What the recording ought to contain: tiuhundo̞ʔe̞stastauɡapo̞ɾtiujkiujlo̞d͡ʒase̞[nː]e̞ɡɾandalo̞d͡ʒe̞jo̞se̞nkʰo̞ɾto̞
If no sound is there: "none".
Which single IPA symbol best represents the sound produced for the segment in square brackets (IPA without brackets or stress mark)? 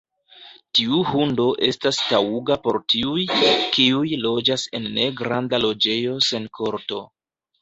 nː